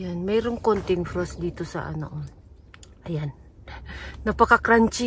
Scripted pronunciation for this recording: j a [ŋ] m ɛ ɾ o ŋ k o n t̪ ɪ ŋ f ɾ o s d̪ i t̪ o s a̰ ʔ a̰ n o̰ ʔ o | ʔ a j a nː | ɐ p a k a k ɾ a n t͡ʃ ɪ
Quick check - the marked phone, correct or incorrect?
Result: incorrect